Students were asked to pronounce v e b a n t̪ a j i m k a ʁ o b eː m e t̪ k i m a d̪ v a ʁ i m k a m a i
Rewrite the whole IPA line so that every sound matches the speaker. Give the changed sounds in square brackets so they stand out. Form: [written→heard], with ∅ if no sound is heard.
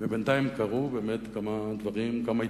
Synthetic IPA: v e b [a→e] n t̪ a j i m k a ʁ [o→u] b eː m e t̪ k [i→a] m a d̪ v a ʁ i m k a m a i